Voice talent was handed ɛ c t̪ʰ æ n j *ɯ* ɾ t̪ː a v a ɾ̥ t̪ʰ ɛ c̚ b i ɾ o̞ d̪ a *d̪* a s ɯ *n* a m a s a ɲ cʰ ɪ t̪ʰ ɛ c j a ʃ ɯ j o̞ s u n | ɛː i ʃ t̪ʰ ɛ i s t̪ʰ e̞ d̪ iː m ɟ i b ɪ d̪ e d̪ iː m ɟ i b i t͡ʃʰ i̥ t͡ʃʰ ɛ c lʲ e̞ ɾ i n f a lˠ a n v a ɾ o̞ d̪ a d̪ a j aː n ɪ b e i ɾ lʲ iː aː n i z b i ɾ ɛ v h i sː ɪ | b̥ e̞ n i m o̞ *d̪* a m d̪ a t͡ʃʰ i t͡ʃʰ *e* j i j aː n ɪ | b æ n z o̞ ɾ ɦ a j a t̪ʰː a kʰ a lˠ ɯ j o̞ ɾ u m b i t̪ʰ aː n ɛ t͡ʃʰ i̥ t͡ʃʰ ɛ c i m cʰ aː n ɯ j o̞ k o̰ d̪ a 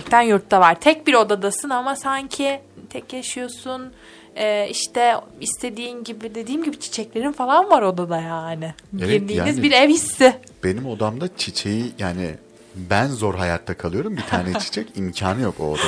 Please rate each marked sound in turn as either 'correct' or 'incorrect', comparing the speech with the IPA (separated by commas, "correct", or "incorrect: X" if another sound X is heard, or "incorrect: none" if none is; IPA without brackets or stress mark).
incorrect: u, correct, correct, correct, correct